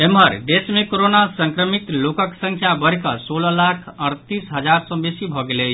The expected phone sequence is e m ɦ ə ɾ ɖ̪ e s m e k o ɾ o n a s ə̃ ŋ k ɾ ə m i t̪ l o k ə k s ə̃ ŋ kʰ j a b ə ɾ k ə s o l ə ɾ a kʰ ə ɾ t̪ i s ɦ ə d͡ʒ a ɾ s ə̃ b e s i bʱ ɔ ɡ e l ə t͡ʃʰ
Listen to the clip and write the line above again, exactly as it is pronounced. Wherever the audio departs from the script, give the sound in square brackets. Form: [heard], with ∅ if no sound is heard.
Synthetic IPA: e m ɦ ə ɾ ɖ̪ e s m e k o ɾ o n a s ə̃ ŋ k ɾ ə m i t̪ l o k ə k s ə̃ ŋ kʰ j a b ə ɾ k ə s o l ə [l] a kʰ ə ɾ t̪ i s ɦ ə d͡ʒ a ɾ s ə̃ b e s i bʱ ɔ ɡ e l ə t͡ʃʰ

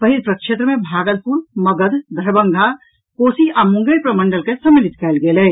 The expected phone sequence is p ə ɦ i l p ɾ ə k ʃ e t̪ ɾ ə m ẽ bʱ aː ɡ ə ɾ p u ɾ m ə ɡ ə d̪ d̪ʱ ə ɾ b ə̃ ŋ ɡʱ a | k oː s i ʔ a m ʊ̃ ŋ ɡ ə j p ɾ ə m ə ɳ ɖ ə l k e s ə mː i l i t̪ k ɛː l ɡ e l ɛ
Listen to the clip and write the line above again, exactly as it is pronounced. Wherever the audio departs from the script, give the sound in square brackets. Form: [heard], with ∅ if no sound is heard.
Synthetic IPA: p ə ɦ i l p ɾ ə k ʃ e t̪ ɾ ə m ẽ bʱ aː ɡ ə [l] p u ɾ m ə ɡ ə d̪ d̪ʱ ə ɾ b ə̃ ŋ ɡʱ a | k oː s i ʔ a m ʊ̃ ŋ ɡ ə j p ɾ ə m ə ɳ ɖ ə l k e s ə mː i l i t̪ k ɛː l ɡ e l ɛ

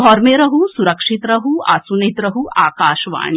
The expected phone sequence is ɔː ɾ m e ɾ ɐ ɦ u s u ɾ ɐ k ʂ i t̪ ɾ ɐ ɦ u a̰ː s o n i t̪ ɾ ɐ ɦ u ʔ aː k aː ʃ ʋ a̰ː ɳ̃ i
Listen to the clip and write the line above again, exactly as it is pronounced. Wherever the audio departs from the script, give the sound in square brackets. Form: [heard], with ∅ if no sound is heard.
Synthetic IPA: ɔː ɾ m e ɾ ɐ ɦ u s u ɾ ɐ k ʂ i t̪ ɾ ɐ ɦ u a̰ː s [u] n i t̪ ɾ ɐ ɦ u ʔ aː k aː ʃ ʋ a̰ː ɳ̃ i

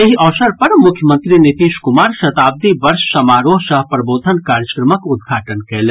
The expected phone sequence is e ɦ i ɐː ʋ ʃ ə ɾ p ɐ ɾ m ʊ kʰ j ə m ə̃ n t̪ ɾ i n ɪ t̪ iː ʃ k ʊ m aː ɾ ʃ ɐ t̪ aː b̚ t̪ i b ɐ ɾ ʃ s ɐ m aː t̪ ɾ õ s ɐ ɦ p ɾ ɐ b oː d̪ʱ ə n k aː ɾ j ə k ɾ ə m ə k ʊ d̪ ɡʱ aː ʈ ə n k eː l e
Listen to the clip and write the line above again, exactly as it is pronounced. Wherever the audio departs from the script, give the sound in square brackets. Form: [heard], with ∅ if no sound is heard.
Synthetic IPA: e ɦ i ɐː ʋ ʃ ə ɾ p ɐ ɾ m ʊ kʰ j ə m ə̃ n t̪ ɾ i n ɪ t̪ iː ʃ k ʊ m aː ɾ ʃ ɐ t̪ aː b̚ [d̪] i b ɐ ɾ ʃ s ɐ m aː [∅] ɾ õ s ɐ ɦ p ɾ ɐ b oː d̪ʱ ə n k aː ɾ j ə k ɾ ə m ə k ʊ d̪ ɡʱ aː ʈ ə n k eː l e

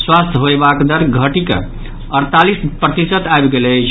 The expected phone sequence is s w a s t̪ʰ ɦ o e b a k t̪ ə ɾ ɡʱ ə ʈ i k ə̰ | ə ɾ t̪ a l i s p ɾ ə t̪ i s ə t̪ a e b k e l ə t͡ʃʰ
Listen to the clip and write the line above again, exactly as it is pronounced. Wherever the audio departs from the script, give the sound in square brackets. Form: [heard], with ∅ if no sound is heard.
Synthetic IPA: s w a s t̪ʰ ɦ o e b a k [d̪] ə ɾ ɡʱ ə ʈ i k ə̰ | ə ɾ t̪ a l i s p ɾ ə t̪ i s ə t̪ a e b [ɡ] e l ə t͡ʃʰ

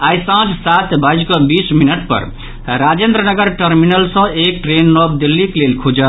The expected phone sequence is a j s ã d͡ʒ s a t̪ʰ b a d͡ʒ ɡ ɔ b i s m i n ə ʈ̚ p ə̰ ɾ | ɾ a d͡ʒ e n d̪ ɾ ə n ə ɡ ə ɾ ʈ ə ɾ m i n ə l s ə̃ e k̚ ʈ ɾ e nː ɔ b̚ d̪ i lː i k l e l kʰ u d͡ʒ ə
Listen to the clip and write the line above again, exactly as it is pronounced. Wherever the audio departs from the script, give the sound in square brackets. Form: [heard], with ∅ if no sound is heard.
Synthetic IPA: a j s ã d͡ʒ s a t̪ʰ b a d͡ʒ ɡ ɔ b i s m i n ə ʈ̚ p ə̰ ɾ | ɾ a d͡ʒ e n d̪ ɾ ə n ə ɡ ə ɾ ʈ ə ɾ m i n ə l s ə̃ e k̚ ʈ ɾ e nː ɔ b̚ d̪ i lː i k l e l kʰ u d͡ʒ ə

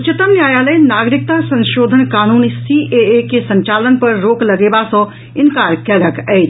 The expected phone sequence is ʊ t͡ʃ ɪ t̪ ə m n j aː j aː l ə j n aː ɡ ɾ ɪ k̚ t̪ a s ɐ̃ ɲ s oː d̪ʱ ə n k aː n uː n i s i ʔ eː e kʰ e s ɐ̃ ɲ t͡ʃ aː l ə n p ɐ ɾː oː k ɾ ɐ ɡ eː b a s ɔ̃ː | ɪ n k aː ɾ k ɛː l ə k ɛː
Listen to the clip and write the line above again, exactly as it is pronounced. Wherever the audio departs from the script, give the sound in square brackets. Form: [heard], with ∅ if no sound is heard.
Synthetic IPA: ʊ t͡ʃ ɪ t̪ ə m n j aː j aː l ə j n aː ɡ ɾ ɪ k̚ t̪ a s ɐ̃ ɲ [ʃ] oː d̪ʱ ə n k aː n uː n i s i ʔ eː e [k] e s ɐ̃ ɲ t͡ʃ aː l ə n p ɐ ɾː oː k [l] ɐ ɡ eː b a s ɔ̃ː | ɪ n k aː ɾ k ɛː l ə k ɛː

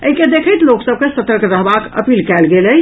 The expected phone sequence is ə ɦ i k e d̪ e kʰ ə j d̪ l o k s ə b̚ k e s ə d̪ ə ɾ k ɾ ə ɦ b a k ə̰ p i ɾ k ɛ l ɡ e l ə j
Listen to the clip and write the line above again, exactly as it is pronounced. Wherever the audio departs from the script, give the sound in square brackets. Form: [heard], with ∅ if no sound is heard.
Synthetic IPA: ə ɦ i k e d̪ e kʰ ə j [t̪] l o k s ə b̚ k e s ə [t̪] ə ɾ k ɾ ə ɦ b a k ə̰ p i [l] k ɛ l ɡ e l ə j

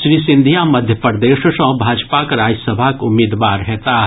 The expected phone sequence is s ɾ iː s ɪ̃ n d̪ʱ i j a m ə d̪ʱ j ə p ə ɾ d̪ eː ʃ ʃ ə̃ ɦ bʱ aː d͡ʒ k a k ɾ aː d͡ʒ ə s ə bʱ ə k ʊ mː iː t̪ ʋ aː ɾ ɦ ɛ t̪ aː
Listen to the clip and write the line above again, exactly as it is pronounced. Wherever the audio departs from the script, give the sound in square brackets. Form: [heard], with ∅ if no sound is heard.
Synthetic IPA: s ɾ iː s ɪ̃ n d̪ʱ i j a m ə d̪ʱ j ə p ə ɾ d̪ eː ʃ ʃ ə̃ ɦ bʱ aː d͡ʒ [p] a k ɾ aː d͡ʒ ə s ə bʱ [a] k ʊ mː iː [d̪] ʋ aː ɾ ɦ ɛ t̪ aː

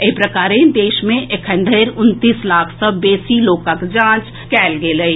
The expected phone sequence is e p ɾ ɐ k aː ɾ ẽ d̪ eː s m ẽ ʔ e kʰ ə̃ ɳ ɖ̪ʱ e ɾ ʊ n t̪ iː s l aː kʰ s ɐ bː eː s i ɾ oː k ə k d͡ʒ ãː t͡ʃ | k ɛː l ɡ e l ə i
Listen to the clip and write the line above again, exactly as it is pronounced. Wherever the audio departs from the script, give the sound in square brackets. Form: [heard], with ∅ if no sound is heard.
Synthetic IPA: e p ɾ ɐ k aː ɾ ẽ d̪ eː [ʃ] m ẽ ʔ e kʰ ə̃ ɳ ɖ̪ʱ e ɾ ʊ n t̪ iː s l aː kʰ s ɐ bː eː s i [l] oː k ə k d͡ʒ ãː t͡ʃ | k ɛː l ɡ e l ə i

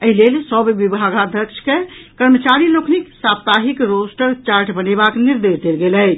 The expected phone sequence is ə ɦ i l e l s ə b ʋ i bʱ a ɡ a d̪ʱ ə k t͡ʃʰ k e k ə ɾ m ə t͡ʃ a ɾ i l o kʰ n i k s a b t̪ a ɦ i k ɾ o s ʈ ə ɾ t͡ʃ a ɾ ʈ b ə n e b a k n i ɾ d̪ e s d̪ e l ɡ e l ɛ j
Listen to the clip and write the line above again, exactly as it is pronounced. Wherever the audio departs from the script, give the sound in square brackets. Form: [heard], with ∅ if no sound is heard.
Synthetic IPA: ə ɦ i l e l s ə b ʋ i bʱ a ɡ a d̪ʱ ə k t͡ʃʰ k e k ə ɾ m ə t͡ʃ a ɾ i l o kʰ n i k s a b t̪ a ɦ i k ɾ o s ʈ ə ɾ t͡ʃ a ɾ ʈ b ə n e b a k n i ɾ d̪ e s d̪ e l ɡ e l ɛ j

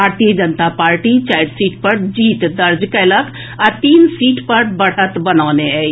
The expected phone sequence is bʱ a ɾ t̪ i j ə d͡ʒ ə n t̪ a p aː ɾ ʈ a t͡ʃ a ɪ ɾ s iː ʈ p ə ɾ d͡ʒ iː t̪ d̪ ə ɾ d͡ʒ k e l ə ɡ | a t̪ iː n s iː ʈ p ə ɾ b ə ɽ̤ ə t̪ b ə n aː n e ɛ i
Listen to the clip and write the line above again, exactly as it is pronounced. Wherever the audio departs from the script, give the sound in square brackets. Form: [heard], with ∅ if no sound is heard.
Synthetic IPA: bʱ a ɾ t̪ i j ə d͡ʒ ə n t̪ a p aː ɾ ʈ [i] t͡ʃ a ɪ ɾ s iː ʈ p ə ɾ d͡ʒ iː t̪ d̪ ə ɾ d͡ʒ k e l ə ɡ | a t̪ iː n s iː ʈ p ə ɾ b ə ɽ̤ ə t̪ b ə n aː n e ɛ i

